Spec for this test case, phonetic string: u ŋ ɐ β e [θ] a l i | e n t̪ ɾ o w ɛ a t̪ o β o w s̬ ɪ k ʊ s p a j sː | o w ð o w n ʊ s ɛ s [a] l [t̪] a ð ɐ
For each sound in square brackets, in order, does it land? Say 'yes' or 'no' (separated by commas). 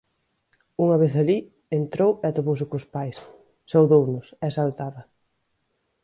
yes, yes, yes